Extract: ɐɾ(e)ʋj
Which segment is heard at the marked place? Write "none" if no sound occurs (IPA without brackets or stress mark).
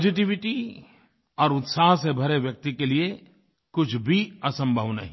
e